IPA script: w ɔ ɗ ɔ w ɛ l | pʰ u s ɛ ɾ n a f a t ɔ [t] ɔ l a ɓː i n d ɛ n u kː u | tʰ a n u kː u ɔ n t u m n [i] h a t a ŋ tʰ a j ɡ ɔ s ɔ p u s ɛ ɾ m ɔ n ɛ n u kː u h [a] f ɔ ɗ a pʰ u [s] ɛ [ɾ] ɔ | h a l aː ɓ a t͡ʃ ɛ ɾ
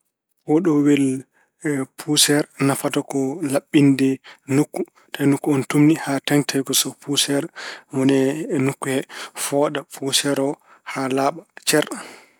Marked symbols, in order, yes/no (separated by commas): no, yes, no, yes, yes